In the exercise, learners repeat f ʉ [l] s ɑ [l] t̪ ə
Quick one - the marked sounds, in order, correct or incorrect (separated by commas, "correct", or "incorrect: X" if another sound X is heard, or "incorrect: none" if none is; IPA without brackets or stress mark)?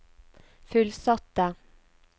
correct, incorrect: none